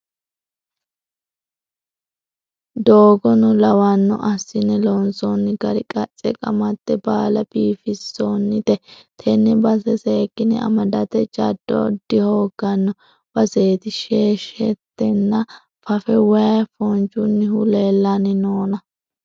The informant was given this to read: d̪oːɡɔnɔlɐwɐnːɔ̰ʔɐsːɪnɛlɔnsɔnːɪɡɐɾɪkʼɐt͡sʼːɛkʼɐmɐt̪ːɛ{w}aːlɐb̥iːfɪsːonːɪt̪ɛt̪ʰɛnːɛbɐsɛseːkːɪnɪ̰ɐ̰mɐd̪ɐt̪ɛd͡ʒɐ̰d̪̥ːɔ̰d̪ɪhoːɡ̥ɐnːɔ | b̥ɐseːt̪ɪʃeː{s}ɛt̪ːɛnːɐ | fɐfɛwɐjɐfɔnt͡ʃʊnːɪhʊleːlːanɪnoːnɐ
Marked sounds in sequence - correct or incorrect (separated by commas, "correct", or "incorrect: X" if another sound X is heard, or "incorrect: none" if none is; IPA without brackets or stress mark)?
incorrect: b, incorrect: ʃ